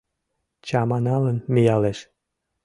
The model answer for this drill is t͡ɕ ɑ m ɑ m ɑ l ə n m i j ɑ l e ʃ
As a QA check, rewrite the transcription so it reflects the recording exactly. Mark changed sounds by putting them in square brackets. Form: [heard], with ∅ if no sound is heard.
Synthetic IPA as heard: t͡ɕ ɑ m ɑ [n] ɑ l ə n m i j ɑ l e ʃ